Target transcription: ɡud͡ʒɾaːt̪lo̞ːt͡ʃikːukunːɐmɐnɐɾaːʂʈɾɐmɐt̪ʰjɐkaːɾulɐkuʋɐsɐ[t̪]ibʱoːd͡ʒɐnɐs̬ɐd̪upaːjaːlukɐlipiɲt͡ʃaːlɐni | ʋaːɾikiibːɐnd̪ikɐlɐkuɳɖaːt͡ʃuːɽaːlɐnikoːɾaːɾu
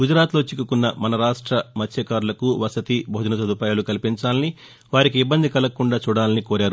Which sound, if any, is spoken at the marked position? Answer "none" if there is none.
t̪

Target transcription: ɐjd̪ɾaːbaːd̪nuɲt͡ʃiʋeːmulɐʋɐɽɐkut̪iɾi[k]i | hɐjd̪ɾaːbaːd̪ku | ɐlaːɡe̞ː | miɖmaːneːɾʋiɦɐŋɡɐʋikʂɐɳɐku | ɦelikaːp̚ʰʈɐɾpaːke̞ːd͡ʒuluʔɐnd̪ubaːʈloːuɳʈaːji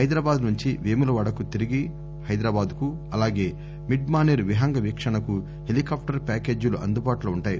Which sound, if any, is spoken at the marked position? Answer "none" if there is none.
ɡ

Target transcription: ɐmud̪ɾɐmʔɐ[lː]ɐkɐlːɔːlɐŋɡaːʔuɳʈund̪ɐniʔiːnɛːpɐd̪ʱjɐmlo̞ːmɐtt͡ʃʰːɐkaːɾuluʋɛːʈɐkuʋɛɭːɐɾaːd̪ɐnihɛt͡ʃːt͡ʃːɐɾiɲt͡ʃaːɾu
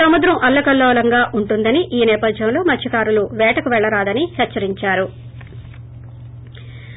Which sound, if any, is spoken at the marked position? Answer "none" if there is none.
lː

